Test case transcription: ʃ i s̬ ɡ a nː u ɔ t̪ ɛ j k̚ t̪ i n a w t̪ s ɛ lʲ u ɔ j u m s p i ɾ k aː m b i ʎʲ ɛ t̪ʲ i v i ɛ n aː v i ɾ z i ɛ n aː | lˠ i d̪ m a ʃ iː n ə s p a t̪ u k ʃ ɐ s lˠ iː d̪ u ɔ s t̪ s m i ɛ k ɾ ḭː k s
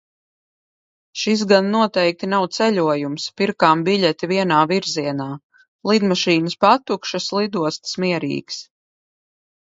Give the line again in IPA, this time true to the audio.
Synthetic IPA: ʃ i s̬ ɡ a nː u ɔ t̪ ɛ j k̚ t̪ i n a w t̪ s ɛ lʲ u ɔ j u m s p i ɾ k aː m b i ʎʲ ɛ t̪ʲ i v i ɛ n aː v i ɾ z i ɛ n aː | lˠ i d̪ m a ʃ iː n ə s p a t̪ u k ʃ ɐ s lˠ i d̪ u ɔ s t̪ s m i ɛ ɾ ḭː k s